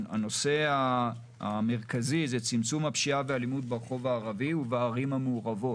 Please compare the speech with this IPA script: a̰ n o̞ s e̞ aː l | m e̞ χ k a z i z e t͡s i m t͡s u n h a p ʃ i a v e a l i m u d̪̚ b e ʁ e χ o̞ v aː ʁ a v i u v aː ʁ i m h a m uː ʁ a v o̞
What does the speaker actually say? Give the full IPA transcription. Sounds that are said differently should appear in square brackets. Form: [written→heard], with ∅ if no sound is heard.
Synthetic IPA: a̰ n o̞ s e̞ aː [l→∅] | m e̞ [χ→ʁ] k a z i z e t͡s i m t͡s u [n→m] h a p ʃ i a v e a l i m u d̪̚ b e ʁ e χ o̞ v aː ʁ a v i u v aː ʁ i m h a m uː ʁ a v o̞